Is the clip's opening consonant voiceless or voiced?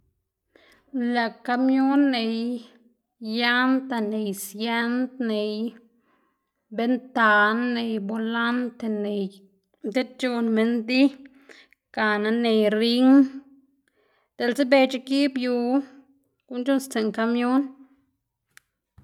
voiced